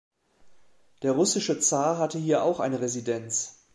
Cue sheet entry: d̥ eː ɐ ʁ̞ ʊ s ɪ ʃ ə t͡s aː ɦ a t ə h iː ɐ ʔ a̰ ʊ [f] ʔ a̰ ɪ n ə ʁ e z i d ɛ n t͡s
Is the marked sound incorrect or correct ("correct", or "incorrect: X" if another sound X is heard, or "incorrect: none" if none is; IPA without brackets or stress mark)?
incorrect: x